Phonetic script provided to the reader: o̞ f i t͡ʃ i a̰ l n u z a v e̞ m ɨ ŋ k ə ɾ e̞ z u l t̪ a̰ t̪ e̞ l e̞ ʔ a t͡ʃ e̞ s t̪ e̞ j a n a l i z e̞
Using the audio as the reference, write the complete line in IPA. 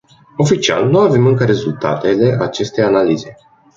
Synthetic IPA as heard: o̞ f i t͡ʃ i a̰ l n u a v e̞ m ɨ ŋ k ə ɾ e̞ z u l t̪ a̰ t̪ e̞ l e̞ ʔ a t͡ʃ e̞ s t̪ e̞ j a n a l i z e̞